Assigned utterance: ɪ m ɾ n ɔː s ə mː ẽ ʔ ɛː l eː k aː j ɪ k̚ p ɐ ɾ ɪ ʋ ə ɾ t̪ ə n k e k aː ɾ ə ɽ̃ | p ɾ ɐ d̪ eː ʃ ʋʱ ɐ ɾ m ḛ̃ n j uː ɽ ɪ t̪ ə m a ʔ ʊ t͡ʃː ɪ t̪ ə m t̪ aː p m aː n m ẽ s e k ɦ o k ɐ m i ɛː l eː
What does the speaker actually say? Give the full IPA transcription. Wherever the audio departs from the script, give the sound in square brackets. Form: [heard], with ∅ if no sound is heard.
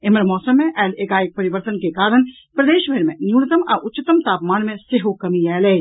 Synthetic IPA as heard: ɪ m ɾ [m] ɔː s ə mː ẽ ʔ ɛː l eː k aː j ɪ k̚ p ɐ ɾ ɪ ʋ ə ɾ t̪ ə n k e k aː ɾ ə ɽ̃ | p ɾ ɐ d̪ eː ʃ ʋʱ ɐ ɾ m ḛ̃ n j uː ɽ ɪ t̪ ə m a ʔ ʊ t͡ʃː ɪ t̪ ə m t̪ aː p m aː n m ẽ s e [∅] ɦ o k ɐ m i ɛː l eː